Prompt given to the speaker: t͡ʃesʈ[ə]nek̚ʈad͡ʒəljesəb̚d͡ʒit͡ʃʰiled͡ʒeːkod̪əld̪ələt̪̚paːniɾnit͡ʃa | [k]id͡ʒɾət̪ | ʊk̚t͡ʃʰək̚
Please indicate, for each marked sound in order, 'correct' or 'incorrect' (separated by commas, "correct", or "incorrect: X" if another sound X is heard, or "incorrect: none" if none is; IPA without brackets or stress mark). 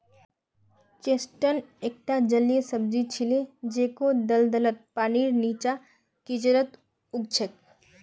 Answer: correct, correct